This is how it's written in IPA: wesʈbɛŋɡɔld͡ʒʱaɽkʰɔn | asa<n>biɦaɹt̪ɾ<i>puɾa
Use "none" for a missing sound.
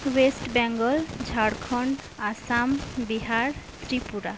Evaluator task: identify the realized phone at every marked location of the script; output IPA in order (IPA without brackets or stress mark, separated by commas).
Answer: m, i